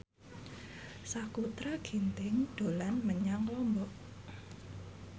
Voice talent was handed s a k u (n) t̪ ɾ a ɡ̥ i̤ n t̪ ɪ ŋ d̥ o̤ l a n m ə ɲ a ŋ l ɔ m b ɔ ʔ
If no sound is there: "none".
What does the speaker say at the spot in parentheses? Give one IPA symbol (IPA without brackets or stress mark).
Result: none